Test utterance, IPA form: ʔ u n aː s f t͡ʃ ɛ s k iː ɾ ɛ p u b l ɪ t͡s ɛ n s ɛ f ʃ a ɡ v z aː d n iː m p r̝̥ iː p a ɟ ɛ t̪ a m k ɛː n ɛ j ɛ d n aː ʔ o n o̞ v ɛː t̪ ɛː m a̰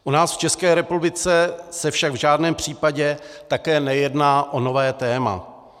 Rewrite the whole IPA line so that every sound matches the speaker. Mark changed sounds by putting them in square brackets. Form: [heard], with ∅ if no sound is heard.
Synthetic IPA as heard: ʔ u n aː s f t͡ʃ ɛ s k [ɛː] ɾ ɛ p u b l ɪ t͡s ɛ [∅] s ɛ f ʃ a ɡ v [ʒ] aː d n [ɛː] m p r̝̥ iː p a ɟ ɛ t̪ a [∅] k ɛː n ɛ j ɛ d n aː ʔ o n o̞ v ɛː t̪ ɛː m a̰

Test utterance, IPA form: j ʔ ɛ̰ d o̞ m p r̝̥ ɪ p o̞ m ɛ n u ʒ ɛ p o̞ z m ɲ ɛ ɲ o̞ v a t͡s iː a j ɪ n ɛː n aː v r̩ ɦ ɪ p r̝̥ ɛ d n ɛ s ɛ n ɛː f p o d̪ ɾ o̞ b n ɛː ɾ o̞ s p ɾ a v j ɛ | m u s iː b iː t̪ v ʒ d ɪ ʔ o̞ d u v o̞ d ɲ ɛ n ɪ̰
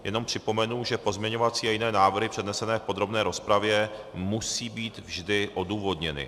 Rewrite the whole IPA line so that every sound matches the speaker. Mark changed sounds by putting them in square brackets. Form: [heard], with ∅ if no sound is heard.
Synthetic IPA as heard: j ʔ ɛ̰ [n] o̞ m p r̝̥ ɪ p o̞ m ɛ n u ʒ ɛ p o̞ z m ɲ ɛ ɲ o̞ v a t͡s iː a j ɪ n ɛː n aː v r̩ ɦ ɪ p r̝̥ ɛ d n ɛ s ɛ n ɛː f p o d̪ ɾ o̞ b n ɛː ɾ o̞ s p ɾ a v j ɛ | m u s iː b iː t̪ v ʒ d ɪ ʔ o̞ d [uː] v o̞ d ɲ ɛ n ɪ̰

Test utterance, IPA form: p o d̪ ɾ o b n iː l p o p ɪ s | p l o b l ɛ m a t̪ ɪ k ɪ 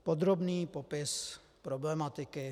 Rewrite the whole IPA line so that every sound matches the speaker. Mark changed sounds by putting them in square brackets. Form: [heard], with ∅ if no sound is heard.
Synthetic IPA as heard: p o d̪ ɾ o b n iː [∅] p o p ɪ s | p [ɾ] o b l ɛ m a t̪ ɪ k ɪ

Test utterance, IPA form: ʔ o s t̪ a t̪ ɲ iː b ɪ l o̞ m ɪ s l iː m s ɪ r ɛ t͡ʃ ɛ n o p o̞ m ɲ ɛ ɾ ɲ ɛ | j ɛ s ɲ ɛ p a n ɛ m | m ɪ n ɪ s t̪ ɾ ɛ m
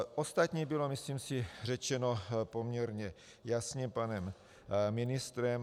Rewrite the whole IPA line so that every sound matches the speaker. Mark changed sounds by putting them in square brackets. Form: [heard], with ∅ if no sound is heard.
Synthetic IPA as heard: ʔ o s t̪ a t̪ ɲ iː b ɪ l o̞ m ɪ s l iː m s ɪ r ɛ t͡ʃ ɛ n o p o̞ m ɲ ɛ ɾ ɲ ɛ | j [a] s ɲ ɛ p a n ɛ m | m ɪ n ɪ s t̪ ɾ ɛ m

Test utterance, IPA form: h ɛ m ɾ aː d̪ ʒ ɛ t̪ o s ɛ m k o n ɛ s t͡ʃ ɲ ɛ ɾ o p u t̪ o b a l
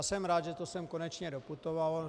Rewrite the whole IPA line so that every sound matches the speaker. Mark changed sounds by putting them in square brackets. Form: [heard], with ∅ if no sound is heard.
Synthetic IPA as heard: [s] ɛ m ɾ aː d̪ ʒ ɛ t̪ o s ɛ m k o n ɛ [∅] t͡ʃ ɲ ɛ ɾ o p u t̪ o [v] a l

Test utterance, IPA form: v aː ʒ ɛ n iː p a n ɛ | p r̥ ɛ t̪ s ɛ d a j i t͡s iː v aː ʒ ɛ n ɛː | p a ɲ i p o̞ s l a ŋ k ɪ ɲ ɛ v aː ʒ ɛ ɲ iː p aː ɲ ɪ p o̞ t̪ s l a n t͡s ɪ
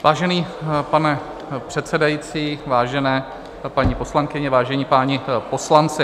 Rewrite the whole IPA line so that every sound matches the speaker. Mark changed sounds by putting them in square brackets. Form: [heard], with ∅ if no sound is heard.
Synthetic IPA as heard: v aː ʒ ɛ n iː p a n ɛ | p r̥ ɛ t̪ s ɛ d a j i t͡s iː v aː ʒ ɛ n ɛː | p a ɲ i p o̞ s l a ŋ k ɪ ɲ ɛ v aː ʒ ɛ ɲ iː p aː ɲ ɪ p o̞ [∅] s l a n t͡s ɪ

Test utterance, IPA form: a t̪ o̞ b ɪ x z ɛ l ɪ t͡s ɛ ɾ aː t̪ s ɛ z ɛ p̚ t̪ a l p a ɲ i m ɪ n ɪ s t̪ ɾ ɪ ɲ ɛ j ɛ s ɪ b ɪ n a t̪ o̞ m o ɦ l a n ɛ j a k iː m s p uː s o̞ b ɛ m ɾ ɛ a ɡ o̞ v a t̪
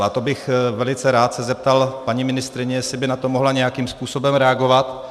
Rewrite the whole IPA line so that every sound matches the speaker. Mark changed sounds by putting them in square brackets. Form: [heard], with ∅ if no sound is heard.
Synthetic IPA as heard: a t̪ o̞ b ɪ x [v] ɛ l ɪ t͡s ɛ ɾ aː t̪ s ɛ z ɛ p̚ t̪ a l p a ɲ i m ɪ n ɪ s t̪ ɾ ɪ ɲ ɛ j ɛ s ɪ b ɪ n a t̪ o̞ m o ɦ l a [ɲ] ɛ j a k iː m s p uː s o̞ b ɛ m ɾ ɛ a ɡ o̞ v a t̪

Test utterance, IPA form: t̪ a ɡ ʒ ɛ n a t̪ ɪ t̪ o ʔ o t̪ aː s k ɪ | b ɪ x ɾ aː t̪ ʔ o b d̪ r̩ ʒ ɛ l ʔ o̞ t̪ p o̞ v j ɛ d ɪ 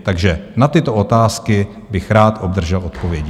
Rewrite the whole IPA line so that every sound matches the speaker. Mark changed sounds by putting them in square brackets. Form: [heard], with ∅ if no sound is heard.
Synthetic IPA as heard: t̪ a ɡ ʒ ɛ n a t̪ ɪ t̪ o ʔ o t̪ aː s k ɪ | b ɪ x ɾ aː t̪ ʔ o b d̪ r̩ ʒ ɛ l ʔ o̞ t̪ p o̞ v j ɛ [ɟ] ɪ

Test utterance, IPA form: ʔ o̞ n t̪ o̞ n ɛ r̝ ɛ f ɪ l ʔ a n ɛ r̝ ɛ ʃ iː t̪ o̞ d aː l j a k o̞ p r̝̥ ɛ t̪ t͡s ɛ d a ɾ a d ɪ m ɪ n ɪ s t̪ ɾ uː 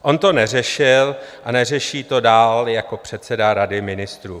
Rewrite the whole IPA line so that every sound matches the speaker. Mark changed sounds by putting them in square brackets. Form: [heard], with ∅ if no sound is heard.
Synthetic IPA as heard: ʔ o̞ n t̪ o̞ n ɛ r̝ ɛ [ʃ] ɪ l ʔ a n ɛ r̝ ɛ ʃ iː t̪ o̞ d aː l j a k o̞ p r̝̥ ɛ t̪ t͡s ɛ d a ɾ a d ɪ m ɪ n ɪ s t̪ ɾ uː

